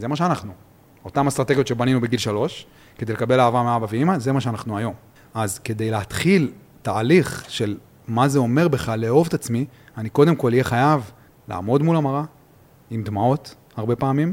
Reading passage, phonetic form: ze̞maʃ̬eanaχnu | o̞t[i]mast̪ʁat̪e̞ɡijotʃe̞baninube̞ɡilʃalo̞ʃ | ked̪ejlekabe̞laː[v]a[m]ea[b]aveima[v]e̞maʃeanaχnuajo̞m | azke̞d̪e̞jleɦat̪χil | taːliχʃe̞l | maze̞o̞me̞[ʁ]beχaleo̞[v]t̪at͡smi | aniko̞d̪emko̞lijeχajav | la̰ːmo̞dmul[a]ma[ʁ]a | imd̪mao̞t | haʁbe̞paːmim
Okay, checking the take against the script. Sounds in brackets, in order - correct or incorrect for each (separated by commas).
incorrect, correct, correct, correct, incorrect, correct, correct, correct, correct